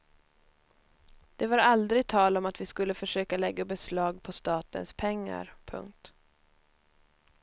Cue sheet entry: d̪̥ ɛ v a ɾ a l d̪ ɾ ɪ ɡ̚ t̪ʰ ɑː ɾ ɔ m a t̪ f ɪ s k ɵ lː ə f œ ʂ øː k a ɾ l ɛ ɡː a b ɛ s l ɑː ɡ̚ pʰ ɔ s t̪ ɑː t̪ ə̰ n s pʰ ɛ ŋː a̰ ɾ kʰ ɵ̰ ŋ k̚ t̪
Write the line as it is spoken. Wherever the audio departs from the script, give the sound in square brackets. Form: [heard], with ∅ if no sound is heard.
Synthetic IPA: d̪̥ ɛ v a ɾ a l d̪ ɾ ɪ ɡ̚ t̪ʰ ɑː [l] ɔ m a t̪ [v] ɪ s k ɵ lː ə f œ ʂ øː k a [∅] l ɛ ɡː a b ɛ s l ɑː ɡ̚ pʰ ɔ s t̪ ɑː t̪ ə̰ n s pʰ ɛ ŋː a̰ ɾ [pʰ] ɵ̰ ŋ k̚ t̪